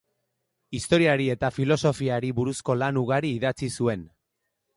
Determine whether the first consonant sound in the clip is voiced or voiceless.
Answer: voiceless